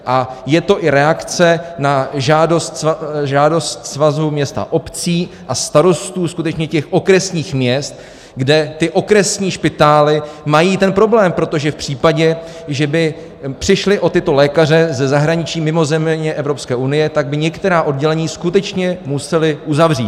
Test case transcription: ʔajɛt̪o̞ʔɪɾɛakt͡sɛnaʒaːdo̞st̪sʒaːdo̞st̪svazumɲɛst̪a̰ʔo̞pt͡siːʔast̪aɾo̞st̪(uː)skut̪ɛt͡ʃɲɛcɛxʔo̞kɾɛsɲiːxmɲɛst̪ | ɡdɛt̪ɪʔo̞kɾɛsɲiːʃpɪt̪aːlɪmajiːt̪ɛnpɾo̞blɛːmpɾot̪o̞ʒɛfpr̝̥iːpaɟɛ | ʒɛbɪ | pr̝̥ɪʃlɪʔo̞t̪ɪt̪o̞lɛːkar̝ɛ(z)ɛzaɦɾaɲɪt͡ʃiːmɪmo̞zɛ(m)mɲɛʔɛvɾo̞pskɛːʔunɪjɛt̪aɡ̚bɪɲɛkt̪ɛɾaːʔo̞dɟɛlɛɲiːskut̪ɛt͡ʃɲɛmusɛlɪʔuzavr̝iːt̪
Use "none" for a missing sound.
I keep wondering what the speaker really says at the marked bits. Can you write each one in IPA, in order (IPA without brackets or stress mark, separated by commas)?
uː, z, m